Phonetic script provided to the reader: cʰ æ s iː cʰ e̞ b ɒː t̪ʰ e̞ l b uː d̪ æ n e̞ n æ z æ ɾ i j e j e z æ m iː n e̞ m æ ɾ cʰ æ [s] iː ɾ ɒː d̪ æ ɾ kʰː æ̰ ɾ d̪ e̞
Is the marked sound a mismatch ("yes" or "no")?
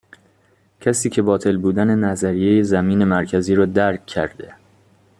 yes